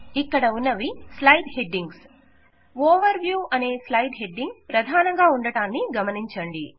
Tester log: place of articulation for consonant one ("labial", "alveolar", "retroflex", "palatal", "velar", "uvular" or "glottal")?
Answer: velar